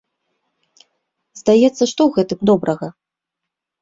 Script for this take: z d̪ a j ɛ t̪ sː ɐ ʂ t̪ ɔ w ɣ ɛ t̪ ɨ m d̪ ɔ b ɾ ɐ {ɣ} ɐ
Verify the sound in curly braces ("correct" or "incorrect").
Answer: correct